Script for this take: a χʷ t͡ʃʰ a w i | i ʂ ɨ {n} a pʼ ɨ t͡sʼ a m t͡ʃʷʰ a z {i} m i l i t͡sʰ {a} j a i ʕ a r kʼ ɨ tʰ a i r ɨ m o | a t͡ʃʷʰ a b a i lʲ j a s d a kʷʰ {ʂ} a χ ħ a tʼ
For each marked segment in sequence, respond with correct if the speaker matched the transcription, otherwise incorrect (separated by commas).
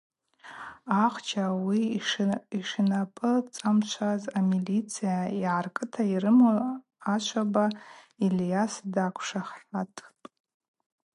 correct, incorrect, incorrect, correct